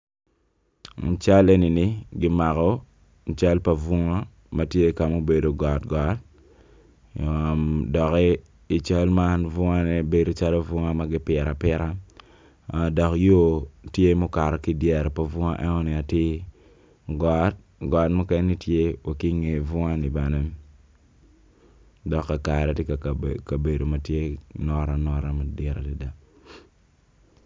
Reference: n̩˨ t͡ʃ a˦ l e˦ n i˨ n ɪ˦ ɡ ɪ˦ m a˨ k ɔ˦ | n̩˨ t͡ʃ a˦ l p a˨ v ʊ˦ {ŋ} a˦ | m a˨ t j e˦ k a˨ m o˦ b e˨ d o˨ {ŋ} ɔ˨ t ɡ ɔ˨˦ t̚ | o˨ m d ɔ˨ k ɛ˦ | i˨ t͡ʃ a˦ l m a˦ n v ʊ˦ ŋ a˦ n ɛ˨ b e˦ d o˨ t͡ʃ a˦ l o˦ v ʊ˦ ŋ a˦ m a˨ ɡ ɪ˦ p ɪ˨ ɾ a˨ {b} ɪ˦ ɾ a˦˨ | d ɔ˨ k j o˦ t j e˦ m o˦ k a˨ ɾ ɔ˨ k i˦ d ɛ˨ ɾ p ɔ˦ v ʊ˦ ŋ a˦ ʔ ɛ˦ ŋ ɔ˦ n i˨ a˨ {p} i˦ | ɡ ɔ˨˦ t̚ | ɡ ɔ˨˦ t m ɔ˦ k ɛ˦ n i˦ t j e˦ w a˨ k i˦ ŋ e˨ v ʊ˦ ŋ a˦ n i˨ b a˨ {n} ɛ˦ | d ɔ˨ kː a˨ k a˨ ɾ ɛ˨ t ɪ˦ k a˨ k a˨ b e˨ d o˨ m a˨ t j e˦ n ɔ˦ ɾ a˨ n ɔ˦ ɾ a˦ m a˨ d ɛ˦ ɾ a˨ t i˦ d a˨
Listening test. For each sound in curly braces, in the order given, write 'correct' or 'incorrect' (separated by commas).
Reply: correct, incorrect, incorrect, incorrect, correct